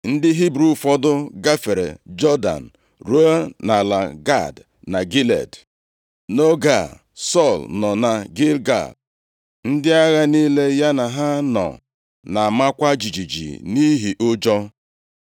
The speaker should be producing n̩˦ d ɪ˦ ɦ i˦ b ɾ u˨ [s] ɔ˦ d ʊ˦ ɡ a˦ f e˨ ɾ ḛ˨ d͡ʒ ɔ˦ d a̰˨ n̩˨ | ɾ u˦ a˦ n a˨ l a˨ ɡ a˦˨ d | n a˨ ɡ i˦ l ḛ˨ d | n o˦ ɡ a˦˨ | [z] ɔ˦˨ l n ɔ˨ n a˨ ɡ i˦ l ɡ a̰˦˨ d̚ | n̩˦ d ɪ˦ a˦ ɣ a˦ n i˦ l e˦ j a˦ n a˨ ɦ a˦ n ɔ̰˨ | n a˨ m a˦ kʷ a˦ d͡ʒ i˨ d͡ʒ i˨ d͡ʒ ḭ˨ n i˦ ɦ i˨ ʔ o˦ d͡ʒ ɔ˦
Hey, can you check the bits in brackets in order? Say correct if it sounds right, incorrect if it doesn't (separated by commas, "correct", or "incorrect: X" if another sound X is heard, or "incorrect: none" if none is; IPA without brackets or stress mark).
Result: incorrect: f, incorrect: s